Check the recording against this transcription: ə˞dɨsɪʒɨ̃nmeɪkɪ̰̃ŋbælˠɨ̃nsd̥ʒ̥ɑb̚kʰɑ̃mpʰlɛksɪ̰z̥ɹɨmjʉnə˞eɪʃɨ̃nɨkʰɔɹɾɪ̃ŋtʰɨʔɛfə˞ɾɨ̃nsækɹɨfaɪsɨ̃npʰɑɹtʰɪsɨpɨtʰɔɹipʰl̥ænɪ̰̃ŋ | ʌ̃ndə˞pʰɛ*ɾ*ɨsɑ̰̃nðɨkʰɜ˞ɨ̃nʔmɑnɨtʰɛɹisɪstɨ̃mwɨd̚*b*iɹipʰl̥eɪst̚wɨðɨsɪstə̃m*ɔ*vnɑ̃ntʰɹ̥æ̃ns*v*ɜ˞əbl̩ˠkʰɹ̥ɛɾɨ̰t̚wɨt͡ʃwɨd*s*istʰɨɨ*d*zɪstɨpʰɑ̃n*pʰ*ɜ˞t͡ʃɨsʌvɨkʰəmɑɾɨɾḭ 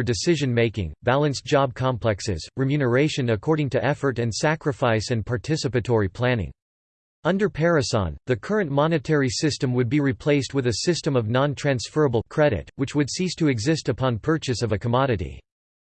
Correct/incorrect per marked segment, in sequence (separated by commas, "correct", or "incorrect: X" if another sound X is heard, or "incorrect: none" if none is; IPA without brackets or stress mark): incorrect: ɹ, correct, incorrect: ʌ, incorrect: f, correct, incorrect: ɡ, correct